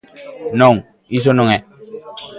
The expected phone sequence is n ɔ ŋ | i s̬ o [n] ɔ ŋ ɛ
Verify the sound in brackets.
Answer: correct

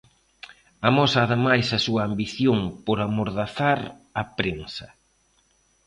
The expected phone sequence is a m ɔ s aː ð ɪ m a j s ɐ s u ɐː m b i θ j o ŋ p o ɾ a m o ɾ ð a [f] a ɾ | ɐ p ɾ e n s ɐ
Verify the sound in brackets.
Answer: incorrect: θ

